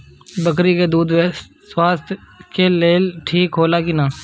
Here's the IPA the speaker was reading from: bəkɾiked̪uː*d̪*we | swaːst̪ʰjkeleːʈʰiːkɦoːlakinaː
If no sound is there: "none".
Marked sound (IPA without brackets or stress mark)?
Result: d̪